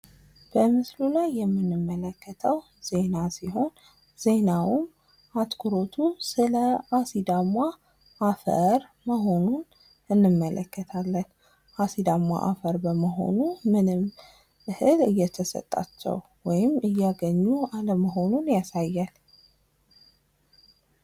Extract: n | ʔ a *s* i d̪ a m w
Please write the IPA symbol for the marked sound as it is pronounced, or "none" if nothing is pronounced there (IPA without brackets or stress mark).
s